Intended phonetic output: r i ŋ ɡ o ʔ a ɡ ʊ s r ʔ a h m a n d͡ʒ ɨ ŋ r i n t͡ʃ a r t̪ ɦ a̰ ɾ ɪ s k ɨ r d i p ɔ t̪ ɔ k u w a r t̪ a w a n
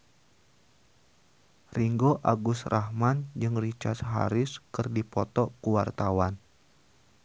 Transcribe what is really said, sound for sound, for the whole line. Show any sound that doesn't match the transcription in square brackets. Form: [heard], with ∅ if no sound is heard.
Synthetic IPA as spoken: r i ŋ ɡ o ʔ a ɡ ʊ s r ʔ a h m a n d͡ʒ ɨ ŋ r i [∅] t͡ʃ a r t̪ ɦ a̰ ɾ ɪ s k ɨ r d i p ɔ t̪ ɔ k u w a r t̪ a w a n